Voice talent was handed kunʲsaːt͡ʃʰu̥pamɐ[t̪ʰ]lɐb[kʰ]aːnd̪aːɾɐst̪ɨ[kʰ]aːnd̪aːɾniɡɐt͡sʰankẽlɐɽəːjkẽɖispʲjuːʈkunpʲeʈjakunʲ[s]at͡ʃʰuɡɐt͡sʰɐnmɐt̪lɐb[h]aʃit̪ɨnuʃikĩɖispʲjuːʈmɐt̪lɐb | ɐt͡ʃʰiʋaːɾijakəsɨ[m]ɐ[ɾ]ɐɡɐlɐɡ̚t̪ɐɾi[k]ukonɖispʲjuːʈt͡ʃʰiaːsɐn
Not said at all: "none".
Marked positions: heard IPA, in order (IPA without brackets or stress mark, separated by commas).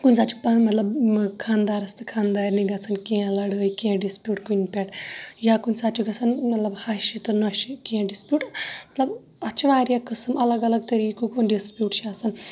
t̪, kʰ, kʰ, s, h, m, l, k